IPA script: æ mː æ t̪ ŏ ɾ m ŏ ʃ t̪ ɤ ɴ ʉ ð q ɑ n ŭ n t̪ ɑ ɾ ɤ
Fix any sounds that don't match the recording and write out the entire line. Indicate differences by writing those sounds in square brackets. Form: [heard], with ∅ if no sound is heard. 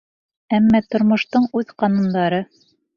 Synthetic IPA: æ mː æ t̪ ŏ ɾ m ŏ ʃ t̪ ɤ ɴ ʉ ð q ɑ n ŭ n [d̪] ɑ ɾ ɤ